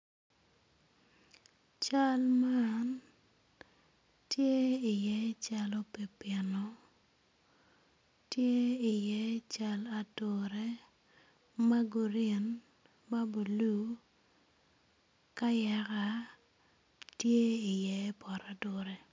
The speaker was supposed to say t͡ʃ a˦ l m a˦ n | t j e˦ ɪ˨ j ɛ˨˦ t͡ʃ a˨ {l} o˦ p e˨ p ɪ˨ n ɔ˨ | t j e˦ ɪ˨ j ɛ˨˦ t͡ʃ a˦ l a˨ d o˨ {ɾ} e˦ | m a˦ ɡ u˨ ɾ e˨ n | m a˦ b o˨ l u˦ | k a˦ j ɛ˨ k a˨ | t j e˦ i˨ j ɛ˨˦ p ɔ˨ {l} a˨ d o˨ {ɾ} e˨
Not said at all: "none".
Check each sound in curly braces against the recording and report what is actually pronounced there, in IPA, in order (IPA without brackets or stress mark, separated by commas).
l, ɾ, ɾ, ɾ